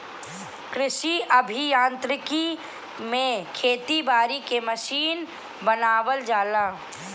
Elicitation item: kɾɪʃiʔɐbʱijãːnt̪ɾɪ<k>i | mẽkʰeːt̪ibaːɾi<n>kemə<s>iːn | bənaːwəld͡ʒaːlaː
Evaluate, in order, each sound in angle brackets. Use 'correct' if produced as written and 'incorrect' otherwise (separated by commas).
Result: correct, incorrect, incorrect